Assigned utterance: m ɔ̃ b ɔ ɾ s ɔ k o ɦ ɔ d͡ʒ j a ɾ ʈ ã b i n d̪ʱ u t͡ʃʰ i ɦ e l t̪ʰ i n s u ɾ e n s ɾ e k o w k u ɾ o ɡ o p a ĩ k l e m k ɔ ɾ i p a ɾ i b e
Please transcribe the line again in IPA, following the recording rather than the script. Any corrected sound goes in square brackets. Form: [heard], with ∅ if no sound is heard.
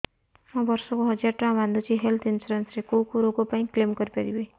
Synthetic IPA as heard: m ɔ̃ b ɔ ɾ s ɔ k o ɦ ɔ d͡ʒ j a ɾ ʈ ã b [a] n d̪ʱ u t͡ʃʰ i ɦ e l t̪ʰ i n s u ɾ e n s ɾ e k o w k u ɾ o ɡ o p a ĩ k l e m k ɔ ɾ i p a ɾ i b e

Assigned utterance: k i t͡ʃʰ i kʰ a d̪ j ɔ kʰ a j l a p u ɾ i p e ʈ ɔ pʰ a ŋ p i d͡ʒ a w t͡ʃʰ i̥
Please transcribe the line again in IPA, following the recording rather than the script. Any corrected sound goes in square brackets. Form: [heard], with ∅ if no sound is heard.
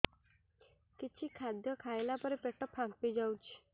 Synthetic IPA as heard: k i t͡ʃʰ i kʰ a d̪ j ɔ kʰ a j l a p [ɔ] ɾ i p e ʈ ɔ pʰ a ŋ p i d͡ʒ a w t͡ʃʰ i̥

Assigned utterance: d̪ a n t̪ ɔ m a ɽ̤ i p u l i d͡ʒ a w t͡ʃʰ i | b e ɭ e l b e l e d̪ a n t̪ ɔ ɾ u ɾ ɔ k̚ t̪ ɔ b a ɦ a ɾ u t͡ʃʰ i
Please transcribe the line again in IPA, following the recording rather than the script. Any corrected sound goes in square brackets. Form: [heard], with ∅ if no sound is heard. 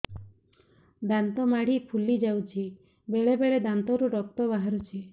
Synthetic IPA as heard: d̪ a n t̪ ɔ m a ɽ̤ i [pʰ] u l i d͡ʒ a w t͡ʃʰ i | b e ɭ e [∅] b e [ɭ] e d̪ a n t̪ ɔ ɾ u ɾ ɔ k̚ t̪ ɔ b a ɦ a ɾ u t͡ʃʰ i

